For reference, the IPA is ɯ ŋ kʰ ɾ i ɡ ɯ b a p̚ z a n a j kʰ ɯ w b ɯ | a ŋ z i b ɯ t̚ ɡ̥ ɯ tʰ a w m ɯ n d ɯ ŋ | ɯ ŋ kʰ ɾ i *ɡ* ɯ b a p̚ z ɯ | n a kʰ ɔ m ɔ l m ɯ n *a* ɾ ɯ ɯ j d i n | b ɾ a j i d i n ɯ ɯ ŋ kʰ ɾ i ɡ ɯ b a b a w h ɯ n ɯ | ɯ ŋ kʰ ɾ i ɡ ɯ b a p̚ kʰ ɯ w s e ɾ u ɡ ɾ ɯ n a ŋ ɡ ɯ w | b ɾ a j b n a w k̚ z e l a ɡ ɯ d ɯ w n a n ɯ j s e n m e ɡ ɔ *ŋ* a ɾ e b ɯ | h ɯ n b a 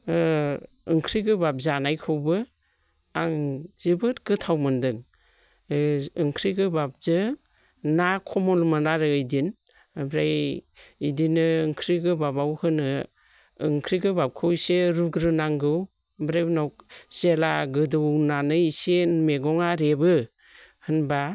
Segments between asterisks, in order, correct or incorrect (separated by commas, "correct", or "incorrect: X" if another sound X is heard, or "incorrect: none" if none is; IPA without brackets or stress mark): correct, correct, correct